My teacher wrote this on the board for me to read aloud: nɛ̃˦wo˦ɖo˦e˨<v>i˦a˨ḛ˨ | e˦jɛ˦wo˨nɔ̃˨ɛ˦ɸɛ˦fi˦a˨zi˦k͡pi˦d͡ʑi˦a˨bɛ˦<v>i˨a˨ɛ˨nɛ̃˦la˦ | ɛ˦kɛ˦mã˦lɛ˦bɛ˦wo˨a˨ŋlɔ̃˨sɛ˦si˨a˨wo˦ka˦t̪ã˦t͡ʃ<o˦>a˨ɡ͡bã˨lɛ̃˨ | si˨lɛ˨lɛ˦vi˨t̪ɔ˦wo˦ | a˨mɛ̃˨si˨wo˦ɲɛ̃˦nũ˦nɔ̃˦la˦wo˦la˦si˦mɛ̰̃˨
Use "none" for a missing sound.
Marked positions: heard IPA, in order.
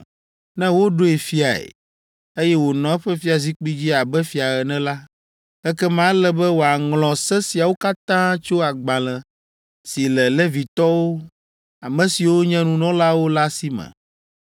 f, f, o˦

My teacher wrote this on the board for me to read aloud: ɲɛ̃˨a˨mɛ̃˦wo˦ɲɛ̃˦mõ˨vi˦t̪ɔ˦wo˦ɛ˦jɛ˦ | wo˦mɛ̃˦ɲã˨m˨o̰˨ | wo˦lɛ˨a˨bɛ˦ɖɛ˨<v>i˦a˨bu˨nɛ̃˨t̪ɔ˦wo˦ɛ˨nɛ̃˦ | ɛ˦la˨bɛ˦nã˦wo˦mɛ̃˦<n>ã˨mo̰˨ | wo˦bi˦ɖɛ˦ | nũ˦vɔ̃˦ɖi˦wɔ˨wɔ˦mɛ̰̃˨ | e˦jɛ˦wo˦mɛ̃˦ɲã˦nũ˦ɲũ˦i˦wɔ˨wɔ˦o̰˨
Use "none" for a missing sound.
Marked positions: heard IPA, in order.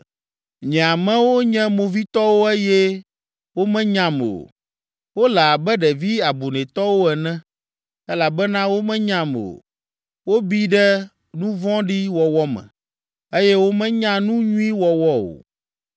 v, ɲ

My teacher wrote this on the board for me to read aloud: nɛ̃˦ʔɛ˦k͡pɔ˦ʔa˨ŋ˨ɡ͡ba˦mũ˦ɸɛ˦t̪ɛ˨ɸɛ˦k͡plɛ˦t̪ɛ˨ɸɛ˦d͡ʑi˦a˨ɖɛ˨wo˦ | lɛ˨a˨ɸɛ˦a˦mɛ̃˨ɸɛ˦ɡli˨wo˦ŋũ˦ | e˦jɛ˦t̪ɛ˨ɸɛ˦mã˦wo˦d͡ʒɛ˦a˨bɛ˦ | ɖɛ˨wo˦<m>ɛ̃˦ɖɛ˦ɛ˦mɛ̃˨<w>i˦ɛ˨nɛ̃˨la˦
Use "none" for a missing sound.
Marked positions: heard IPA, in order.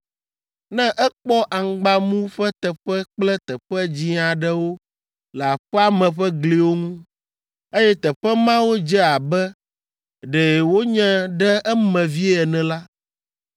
ɲ, v

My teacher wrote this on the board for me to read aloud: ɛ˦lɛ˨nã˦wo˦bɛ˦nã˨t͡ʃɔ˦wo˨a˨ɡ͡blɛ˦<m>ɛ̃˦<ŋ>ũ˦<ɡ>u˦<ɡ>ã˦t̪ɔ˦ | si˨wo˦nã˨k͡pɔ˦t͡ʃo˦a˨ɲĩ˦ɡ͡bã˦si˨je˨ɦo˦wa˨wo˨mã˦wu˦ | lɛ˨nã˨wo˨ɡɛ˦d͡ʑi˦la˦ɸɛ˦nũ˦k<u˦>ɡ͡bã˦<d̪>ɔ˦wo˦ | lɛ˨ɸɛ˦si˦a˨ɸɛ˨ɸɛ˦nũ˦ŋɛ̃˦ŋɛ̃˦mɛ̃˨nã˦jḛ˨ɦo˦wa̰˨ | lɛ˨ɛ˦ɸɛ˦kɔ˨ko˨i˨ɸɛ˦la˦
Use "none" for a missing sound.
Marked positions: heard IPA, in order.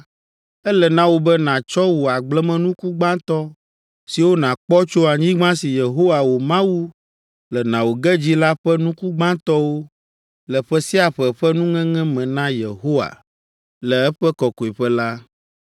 m, n, k, ɡ͡b, u˦, t̪

